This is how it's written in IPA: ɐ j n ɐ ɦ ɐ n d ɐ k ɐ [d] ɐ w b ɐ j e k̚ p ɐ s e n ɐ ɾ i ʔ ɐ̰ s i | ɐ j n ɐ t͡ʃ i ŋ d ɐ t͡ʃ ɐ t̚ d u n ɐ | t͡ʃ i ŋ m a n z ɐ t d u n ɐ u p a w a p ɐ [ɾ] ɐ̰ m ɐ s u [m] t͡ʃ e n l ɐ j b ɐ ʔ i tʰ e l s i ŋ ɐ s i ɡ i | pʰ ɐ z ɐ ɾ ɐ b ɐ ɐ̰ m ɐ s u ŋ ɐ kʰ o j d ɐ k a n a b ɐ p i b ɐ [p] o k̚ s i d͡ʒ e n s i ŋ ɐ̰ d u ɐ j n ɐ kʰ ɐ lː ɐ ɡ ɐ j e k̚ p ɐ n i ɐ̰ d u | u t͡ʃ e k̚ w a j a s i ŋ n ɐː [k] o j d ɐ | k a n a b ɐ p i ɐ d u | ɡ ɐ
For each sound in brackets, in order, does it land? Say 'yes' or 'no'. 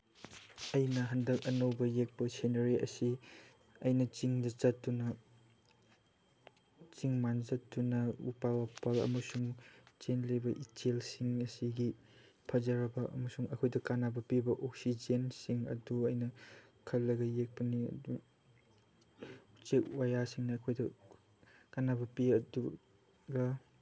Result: no, no, no, no, no

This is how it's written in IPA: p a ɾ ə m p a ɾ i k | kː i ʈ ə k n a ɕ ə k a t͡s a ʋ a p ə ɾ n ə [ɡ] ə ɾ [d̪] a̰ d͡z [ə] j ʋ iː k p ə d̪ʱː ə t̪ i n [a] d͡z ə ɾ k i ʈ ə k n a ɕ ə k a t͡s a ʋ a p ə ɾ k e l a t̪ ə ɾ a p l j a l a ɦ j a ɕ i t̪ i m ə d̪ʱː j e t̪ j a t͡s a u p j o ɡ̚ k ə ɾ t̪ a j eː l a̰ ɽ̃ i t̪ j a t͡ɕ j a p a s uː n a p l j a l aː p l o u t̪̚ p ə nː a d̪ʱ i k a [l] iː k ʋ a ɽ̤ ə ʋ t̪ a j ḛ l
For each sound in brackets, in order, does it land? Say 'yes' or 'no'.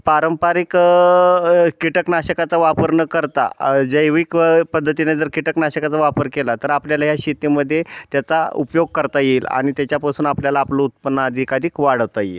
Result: no, no, yes, no, no

